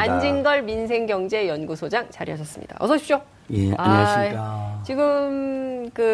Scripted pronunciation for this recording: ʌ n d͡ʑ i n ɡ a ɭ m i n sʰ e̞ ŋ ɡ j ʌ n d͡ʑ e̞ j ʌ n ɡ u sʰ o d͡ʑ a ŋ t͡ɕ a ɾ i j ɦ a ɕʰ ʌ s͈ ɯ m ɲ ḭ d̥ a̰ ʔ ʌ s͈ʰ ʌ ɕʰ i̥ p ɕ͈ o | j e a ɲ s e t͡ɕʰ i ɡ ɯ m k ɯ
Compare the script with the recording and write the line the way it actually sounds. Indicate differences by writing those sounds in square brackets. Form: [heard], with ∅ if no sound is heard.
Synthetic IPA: [a] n d͡ʑ i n ɡ [ʌ] ɭ m i n sʰ e̞ ŋ ɡ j ʌ [ŋ] d͡ʑ e̞ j ʌ n ɡ u sʰ o d͡ʑ a ŋ t͡ɕ a ɾ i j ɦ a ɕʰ ʌ s͈ ɯ m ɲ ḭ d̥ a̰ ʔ ʌ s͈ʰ ʌ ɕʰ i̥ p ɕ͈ o | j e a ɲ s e [t͡ɕ] i ɡ ɯ m k ɯ